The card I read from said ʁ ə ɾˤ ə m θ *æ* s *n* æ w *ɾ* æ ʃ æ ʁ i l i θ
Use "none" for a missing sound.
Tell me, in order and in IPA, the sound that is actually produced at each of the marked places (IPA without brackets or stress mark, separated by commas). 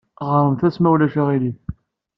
æ, m, l